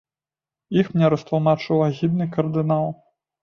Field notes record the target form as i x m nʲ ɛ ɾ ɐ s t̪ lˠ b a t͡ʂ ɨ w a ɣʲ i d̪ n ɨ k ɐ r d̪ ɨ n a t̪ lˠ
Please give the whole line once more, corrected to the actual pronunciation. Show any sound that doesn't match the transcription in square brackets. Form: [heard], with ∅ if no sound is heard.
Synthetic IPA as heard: i x m nʲ ɛ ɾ ɐ s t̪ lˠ [m] a t͡ʂ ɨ w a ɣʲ i d̪ n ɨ k ɐ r d̪ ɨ n a [∅] lˠ